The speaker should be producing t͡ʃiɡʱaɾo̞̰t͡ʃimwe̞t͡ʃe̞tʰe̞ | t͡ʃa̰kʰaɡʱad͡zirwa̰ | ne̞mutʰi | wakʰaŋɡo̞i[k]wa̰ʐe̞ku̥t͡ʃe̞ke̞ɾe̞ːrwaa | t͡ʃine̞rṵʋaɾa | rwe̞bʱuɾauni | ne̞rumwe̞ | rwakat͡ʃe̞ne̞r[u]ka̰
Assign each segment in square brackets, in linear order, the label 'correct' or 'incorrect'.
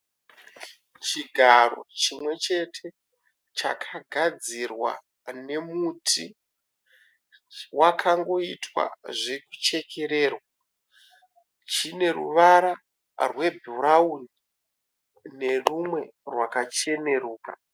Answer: incorrect, incorrect

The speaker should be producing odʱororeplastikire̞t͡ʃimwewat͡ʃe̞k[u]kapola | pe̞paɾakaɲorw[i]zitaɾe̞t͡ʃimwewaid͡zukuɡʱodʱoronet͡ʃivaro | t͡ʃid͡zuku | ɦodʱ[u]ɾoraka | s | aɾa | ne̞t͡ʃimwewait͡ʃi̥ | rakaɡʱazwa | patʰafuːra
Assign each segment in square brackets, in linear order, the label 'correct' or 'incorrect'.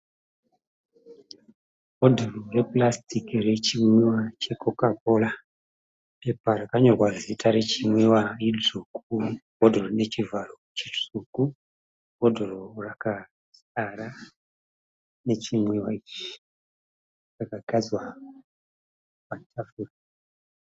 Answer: incorrect, incorrect, incorrect

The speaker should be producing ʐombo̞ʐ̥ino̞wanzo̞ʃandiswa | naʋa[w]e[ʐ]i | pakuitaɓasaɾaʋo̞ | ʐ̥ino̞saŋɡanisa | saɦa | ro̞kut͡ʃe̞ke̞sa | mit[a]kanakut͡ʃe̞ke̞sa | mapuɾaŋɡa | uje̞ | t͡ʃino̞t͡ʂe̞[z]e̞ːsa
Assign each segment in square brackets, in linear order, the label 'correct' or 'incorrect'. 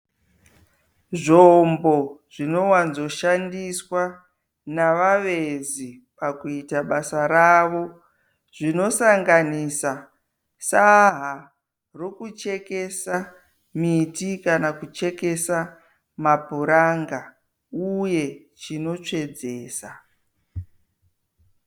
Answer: incorrect, incorrect, incorrect, incorrect

